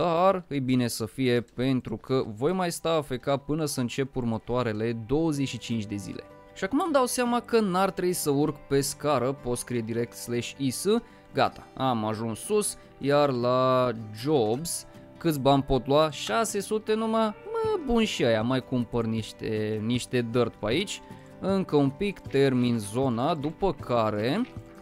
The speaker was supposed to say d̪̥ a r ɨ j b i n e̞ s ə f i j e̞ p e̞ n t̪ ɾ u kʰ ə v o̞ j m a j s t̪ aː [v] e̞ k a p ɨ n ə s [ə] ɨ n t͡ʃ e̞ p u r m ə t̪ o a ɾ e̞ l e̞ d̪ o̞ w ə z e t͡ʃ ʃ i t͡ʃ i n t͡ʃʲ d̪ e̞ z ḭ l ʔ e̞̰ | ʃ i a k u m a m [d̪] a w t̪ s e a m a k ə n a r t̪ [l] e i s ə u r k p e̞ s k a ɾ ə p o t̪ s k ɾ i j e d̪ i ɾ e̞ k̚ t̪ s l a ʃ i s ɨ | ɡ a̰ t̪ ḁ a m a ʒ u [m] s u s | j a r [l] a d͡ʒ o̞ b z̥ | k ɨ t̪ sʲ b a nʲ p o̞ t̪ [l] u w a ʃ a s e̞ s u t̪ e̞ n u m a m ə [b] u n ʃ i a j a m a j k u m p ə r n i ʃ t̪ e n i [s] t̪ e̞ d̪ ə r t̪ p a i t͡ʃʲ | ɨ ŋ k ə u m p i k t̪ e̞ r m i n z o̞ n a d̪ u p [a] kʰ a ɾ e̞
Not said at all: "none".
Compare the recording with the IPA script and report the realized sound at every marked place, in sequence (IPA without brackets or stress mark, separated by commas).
f, ə, d̪, ɾ, n, l, l, b, ʃ, ə